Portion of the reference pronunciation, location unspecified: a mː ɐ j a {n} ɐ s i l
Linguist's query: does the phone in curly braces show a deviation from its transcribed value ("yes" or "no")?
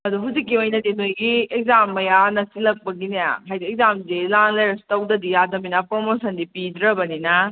no